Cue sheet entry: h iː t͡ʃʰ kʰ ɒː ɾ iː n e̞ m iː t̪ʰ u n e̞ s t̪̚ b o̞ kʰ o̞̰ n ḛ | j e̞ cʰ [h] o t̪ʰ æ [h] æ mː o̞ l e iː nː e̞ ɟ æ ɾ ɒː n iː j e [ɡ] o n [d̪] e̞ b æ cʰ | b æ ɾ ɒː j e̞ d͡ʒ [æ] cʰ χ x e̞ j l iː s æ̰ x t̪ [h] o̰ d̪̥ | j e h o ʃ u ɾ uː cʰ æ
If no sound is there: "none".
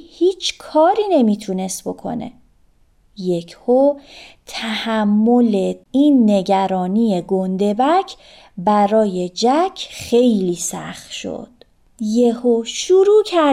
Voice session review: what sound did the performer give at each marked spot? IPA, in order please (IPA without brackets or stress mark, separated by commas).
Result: h, h, ɡ, d̪, æ, ʃ